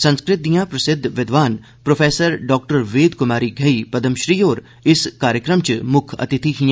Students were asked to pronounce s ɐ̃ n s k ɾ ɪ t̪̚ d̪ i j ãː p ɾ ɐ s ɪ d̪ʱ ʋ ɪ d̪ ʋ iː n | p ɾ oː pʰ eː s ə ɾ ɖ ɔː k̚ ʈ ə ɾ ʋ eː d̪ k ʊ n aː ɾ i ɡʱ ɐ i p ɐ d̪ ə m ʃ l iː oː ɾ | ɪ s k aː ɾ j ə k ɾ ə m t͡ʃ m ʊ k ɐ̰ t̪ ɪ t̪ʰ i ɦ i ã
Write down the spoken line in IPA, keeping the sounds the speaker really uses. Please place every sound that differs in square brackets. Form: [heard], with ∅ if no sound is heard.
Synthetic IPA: s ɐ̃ n s k ɾ ɪ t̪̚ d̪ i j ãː p ɾ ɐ s ɪ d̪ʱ ʋ ɪ d̪ ʋ [aː] n | p ɾ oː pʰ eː s ə ɾ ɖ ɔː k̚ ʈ ə ɾ ʋ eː d̪ k ʊ [m] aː ɾ i ɡʱ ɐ i p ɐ d̪ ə m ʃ [ɾ] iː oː ɾ | ɪ s k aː ɾ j ə k ɾ ə m t͡ʃ m ʊ [kʰ] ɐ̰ t̪ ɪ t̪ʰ i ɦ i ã